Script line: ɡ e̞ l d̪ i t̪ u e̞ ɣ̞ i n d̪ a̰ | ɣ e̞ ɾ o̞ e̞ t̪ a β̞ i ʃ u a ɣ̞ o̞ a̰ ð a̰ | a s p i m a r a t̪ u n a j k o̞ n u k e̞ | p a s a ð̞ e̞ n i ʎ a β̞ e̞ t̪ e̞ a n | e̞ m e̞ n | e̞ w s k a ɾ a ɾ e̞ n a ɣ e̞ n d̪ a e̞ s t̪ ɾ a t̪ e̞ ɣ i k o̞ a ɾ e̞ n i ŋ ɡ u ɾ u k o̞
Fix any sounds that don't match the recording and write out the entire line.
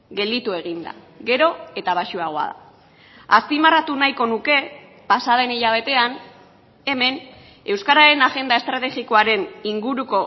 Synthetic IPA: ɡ e̞ l d̪ i t̪ u e̞ ɣ̞ i n d̪ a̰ | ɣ e̞ ɾ o̞ e̞ t̪ a β̞ a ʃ u a ɣ̞ o̞ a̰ ð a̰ | a s p i m a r a t̪ u n a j k o̞ n u k e̞ | p a s a ð̞ e̞ n i ʎ a β̞ e̞ t̪ e̞ a n | e̞ m e̞ n | e̞ w s k a ɾ a ɾ e̞ n a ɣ e̞ n d̪ a e̞ s t̪ ɾ a t̪ e̞ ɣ i k o̞ a ɾ e̞ n i ŋ ɡ u ɾ u k o̞